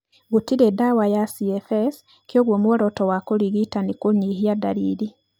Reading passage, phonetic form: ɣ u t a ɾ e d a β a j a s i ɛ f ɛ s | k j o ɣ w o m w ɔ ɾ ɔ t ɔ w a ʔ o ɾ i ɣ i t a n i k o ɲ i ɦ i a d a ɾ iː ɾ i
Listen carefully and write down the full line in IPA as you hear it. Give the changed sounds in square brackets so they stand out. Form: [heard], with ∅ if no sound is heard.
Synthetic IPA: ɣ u t [i] ɾ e d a [w] a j a s i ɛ f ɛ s | k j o ɣ w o m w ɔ ɾ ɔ t ɔ w a [k] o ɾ i ɣ i t a n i k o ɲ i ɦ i a d a ɾ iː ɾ i